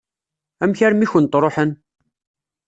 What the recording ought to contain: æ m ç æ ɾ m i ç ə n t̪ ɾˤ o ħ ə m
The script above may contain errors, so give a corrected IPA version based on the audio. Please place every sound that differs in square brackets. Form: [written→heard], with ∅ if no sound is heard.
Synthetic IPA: æ m ç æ ɾ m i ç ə n t̪ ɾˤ o ħ ə [m→n]